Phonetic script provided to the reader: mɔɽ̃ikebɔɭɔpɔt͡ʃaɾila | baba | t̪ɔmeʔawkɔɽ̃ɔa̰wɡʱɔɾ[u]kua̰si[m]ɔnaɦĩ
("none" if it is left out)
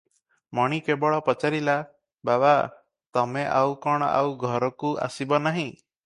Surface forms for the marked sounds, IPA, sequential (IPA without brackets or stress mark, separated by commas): ɔ, b